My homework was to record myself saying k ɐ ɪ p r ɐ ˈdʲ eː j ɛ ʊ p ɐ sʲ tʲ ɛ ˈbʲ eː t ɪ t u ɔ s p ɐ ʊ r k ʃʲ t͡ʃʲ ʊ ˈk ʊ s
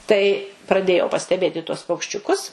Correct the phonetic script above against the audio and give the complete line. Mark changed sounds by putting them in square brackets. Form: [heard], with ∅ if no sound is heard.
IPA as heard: [t] ɐ ɪ p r ɐ ˈdʲ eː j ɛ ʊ p ɐ sʲ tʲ ɛ ˈbʲ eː t ɪ t u ɔ s p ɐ ʊ [∅] k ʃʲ t͡ʃʲ ʊ ˈk ʊ s